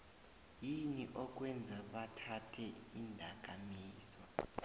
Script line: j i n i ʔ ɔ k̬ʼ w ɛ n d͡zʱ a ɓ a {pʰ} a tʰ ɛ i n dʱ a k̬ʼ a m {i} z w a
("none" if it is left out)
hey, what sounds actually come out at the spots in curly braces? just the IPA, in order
tʰ, iː

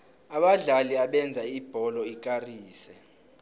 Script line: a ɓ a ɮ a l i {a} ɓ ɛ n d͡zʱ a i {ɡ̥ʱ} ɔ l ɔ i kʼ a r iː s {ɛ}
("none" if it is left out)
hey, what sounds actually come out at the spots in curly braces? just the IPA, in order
a, b̥ʱ, ɛ

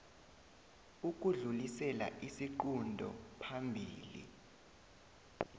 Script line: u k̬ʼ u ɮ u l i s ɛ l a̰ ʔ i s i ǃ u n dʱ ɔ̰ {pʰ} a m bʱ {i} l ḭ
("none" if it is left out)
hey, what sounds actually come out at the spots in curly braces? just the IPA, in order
pʰ, iː

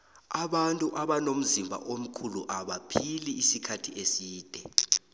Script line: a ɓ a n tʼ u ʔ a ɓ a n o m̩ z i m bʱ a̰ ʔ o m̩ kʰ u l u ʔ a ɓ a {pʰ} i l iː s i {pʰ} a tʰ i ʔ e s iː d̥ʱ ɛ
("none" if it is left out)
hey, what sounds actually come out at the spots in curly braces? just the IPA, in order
pʰ, kʰ

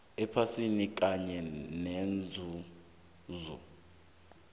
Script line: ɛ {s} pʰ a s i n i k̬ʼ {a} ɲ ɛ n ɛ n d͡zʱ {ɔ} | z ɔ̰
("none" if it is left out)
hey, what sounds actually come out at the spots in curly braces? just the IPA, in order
none, a, u

